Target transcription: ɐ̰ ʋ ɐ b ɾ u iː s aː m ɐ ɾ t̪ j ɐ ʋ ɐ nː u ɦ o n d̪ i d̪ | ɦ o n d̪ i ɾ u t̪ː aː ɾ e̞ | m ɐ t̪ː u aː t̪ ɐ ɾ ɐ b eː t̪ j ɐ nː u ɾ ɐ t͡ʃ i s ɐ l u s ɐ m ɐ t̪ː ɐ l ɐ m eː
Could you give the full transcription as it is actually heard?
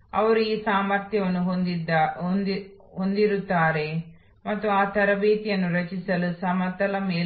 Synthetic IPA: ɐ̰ ʋ ɐ ɾ u iː s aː m ɐ ɾ t̪ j ɐ ʋ ɐ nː u ɦ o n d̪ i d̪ | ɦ o n d̪ i ɾ u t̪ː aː ɾ e̞ | m ɐ t̪ː u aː t̪ ɐ ɾ ɐ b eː t̪ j ɐ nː u ɾ ɐ t͡ʃ i s ɐ l u s ɐ m ɐ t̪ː ɐ l ɐ m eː